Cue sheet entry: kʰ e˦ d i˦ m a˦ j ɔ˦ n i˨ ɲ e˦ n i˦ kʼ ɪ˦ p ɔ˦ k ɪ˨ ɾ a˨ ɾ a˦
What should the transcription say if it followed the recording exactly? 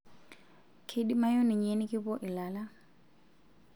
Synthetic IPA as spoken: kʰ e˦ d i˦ m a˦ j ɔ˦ n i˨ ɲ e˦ n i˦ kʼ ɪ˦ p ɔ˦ ʔ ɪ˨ l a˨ l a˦